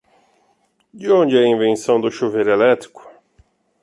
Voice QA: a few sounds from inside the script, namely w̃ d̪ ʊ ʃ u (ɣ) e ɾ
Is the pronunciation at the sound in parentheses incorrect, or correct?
incorrect